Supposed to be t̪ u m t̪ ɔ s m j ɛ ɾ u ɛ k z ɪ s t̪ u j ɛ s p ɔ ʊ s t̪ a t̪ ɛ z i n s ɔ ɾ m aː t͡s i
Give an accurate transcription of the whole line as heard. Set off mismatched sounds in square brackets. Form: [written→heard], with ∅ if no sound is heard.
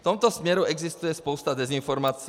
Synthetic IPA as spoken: t̪ [u→ɔ] m t̪ ɔ s m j ɛ ɾ u ɛ [k→ɡ] z [ɪ→i] s t̪ u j ɛ s p ɔ ʊ s t̪ a [t̪→d̪] ɛ z i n [s→f] ɔ ɾ m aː t͡s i